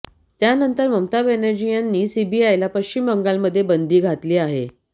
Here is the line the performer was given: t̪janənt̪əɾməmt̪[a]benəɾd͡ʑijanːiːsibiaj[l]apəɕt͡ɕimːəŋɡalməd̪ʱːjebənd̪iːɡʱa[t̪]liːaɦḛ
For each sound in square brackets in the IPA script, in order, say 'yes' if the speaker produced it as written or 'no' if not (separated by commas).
yes, yes, yes